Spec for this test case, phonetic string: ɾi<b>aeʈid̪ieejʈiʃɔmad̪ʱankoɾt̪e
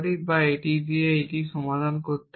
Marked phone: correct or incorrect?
correct